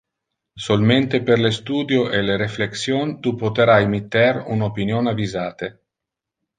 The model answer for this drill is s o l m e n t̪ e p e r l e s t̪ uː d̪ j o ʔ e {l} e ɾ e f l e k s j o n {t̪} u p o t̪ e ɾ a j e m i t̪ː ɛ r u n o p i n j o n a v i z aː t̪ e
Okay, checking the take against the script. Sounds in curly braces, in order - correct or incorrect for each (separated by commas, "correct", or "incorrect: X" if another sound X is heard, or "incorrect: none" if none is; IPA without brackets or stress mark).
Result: correct, correct